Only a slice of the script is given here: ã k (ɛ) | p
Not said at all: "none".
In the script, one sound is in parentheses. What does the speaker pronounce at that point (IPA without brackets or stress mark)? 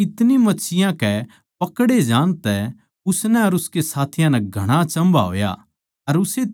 ɛ